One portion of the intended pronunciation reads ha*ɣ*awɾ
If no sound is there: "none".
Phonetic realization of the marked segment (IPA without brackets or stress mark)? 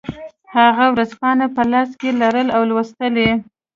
ɣ